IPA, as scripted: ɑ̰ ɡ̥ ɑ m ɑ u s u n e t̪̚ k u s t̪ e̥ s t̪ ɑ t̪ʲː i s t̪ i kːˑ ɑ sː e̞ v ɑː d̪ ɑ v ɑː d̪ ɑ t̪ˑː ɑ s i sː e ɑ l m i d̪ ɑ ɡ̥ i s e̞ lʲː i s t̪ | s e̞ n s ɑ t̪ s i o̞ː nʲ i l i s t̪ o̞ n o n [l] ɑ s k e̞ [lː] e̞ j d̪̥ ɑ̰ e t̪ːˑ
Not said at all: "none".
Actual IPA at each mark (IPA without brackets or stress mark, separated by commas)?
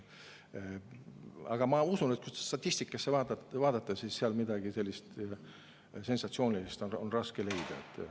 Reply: r, l